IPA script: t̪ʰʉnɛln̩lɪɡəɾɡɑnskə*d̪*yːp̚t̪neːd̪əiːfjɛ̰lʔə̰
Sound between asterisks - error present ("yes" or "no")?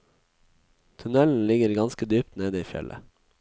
no